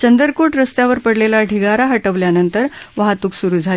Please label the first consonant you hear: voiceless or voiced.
voiceless